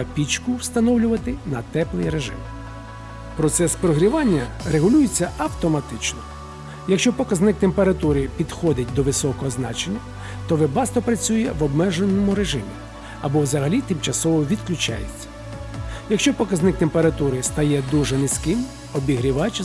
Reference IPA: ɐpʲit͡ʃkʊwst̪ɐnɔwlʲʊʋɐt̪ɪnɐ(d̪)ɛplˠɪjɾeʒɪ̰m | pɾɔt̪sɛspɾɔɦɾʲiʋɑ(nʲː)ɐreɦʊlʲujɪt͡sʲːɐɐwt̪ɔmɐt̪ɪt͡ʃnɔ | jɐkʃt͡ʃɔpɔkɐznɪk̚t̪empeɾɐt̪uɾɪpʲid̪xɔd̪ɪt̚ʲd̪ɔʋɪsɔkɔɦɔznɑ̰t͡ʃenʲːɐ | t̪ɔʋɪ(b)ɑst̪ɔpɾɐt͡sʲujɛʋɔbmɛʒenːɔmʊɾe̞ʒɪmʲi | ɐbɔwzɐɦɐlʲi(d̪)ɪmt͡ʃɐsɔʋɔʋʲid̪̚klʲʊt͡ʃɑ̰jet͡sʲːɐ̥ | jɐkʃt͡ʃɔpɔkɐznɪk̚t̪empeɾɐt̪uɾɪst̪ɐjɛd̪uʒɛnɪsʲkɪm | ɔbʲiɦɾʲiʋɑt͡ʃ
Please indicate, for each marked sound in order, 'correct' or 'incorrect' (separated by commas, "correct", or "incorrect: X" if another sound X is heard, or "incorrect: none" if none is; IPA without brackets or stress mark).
incorrect: t̪, correct, correct, incorrect: t̪